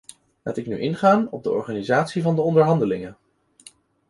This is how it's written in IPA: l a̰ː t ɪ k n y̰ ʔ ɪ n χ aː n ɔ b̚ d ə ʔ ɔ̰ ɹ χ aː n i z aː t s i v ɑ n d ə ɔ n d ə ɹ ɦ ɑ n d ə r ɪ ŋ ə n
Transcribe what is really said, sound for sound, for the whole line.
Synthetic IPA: l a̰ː t ɪ k n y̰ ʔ ɪ n χ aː n ɔ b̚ d ə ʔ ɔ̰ ɹ χ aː n i z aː t s i v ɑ n d ə ɔ n d ə ɹ ɦ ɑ n d ə l ɪ ŋ ə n